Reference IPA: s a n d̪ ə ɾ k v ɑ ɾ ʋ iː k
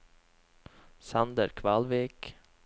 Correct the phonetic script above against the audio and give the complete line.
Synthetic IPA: s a n d̪ ə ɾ kʰ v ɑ l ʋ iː k